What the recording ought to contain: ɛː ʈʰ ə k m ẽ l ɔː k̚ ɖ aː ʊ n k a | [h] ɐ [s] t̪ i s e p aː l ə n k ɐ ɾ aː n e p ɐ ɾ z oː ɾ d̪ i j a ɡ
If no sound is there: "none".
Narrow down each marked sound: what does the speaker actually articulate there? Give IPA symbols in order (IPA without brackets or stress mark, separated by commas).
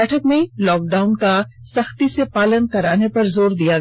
s, x